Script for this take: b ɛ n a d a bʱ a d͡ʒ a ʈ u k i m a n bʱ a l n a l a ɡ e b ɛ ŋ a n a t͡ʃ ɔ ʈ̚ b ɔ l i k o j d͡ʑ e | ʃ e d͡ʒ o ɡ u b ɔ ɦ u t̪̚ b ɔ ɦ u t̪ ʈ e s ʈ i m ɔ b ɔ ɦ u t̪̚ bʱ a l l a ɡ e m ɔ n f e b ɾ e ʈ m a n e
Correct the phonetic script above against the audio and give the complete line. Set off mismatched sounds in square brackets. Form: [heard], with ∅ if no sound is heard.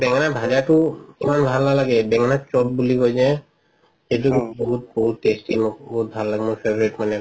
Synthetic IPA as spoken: b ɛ [ŋ] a [n] a bʱ a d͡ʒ a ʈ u k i m a n bʱ a l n a l a ɡ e b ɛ ŋ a n a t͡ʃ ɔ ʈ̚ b [u] l i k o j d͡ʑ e | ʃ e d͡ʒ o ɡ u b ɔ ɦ u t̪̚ b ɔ ɦ u t̪ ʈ e s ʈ i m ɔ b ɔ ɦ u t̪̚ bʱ a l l a ɡ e m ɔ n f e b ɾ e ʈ m a n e